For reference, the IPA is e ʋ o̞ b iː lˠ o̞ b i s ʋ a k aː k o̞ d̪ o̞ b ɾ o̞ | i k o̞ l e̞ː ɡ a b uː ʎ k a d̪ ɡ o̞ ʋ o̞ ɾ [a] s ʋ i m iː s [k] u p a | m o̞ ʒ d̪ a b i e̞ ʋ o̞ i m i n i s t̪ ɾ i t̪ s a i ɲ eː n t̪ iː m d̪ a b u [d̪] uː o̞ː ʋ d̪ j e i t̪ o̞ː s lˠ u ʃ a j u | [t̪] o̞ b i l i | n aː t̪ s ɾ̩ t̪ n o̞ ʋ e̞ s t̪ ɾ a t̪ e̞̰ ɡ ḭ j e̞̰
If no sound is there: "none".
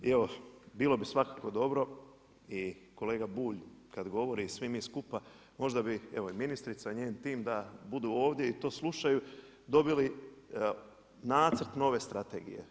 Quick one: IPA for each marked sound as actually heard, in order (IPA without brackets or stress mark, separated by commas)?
i, k, d̪, d̪